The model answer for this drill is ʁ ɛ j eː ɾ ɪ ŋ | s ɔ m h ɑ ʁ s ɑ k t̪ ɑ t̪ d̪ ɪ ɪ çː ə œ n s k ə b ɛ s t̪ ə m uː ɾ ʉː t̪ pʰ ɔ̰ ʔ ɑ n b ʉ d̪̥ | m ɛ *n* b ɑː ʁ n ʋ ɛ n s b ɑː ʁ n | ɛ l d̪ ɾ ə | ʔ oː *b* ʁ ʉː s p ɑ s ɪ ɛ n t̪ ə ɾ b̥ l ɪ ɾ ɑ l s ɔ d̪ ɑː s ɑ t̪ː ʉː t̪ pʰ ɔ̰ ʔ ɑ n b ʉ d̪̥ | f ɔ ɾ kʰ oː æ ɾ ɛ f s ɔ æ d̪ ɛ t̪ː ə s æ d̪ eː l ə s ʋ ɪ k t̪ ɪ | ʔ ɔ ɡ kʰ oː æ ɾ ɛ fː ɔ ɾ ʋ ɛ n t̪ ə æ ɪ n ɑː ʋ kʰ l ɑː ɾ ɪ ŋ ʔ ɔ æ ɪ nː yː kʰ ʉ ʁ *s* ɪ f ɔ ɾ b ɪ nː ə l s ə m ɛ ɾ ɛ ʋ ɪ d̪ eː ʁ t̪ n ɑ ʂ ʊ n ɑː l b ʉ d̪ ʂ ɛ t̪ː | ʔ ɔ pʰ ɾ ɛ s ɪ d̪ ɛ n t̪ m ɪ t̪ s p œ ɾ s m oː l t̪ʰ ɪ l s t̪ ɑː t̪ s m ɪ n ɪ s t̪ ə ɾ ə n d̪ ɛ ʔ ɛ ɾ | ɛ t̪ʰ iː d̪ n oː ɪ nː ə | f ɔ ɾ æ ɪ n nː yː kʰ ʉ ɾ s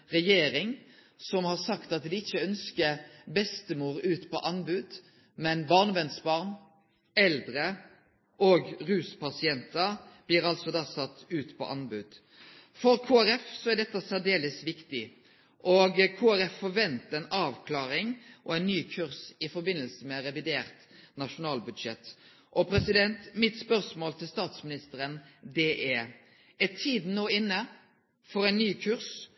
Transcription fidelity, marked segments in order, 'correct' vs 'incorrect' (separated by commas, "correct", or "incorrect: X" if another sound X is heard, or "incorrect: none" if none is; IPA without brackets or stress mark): correct, incorrect: ɡ, correct